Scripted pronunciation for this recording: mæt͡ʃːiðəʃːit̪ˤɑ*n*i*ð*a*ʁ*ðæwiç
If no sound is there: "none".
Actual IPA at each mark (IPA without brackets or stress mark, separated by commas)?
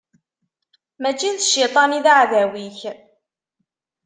n, ð, ʕ